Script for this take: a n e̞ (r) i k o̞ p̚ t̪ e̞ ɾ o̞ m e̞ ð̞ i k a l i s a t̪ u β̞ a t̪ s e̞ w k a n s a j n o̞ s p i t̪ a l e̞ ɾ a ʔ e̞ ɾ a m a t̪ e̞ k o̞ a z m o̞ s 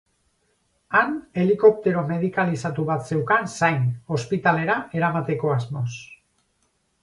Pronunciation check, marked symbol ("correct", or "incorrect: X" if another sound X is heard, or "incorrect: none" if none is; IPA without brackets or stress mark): incorrect: l